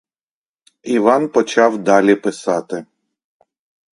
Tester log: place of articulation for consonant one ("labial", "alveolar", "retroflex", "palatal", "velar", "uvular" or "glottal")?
labial